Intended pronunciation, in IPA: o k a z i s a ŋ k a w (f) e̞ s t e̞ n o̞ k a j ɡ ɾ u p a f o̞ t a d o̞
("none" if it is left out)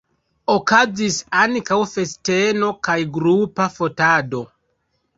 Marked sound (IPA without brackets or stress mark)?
f